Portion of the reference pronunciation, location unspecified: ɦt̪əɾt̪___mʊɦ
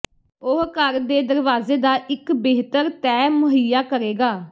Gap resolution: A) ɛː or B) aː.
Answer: A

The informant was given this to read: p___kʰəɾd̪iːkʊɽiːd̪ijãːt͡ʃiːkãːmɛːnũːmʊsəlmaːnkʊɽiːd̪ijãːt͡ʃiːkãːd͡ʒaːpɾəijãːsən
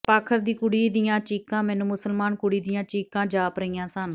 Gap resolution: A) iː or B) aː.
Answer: B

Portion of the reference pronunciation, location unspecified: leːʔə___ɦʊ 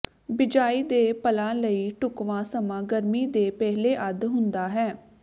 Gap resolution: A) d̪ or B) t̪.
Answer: A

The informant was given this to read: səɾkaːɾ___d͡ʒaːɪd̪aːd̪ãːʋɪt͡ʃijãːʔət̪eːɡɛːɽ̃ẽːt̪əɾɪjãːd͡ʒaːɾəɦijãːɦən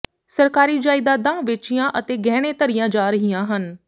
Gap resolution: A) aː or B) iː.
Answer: B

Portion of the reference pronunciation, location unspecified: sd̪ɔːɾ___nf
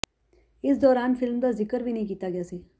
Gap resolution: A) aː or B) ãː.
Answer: A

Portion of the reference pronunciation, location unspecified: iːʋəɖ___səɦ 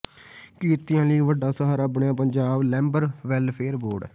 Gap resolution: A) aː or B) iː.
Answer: A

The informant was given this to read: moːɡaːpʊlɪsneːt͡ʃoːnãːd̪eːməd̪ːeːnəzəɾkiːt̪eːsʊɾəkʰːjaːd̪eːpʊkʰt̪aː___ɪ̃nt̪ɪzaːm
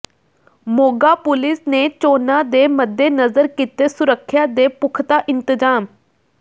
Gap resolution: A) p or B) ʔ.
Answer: B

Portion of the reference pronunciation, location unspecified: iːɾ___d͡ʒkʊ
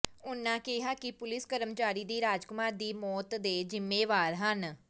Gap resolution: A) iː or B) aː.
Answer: B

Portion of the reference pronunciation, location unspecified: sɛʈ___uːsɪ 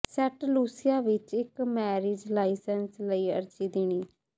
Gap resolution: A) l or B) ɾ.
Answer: A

